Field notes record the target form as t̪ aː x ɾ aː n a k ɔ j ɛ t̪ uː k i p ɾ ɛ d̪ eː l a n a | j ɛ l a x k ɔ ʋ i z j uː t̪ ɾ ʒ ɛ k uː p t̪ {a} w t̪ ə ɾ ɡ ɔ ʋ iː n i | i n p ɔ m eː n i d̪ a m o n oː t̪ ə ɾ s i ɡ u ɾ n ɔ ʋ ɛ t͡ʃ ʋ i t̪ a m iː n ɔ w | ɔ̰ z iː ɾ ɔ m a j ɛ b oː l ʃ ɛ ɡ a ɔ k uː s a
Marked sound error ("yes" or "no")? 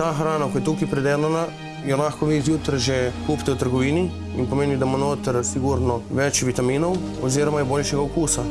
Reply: yes